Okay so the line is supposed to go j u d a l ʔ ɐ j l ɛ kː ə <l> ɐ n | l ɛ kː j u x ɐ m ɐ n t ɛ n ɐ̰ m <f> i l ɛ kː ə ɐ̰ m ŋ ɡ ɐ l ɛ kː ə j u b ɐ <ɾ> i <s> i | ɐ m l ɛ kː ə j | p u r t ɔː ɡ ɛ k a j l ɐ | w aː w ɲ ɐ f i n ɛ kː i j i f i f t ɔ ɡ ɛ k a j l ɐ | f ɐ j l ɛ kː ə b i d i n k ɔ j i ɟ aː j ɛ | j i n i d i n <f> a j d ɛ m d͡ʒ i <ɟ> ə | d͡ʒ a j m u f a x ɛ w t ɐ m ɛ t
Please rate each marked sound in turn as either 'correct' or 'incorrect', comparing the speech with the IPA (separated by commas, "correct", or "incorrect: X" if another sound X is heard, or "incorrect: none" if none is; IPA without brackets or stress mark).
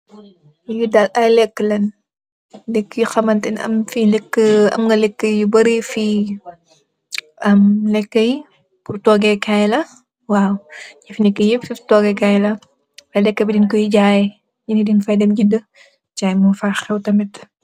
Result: correct, correct, correct, incorrect: f, correct, incorrect: d